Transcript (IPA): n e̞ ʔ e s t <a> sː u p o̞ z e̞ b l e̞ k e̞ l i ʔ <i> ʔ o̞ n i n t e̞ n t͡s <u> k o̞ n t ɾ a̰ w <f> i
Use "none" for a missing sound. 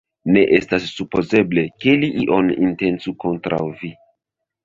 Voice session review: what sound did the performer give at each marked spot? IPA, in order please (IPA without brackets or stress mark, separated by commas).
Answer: a, i, u, v